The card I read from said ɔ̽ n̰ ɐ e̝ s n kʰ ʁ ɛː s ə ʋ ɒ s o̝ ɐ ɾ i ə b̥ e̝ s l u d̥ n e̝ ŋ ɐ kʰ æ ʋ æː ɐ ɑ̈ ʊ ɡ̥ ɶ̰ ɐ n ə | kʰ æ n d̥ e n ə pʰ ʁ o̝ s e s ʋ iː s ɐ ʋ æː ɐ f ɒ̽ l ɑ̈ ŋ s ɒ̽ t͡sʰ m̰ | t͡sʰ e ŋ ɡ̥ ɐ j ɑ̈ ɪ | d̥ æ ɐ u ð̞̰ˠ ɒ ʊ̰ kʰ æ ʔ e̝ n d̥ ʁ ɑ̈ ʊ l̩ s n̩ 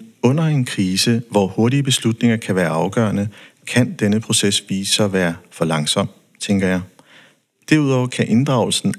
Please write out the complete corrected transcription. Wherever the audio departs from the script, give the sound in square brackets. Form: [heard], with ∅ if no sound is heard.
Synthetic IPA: ɔ̽ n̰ ɐ e̝ [∅] n kʰ ʁ [iː] s ə ʋ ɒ [h] o̝ ɐ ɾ i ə b̥ e̝ s l u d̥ n e̝ ŋ ɐ kʰ æ ʋ æː ɐ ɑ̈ ʊ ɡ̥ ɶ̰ ɐ n ə | kʰ æ n d̥ e n ə pʰ ʁ o̝ s e s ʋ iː s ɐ ʋ æː ɐ f ɒ̽ l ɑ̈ ŋ s ɒ̽ [∅] m̰ | t͡sʰ e ŋ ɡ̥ ɐ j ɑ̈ ɪ | d̥ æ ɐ u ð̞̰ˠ ɒ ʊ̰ kʰ æ ʔ e̝ n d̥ ʁ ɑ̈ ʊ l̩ s n̩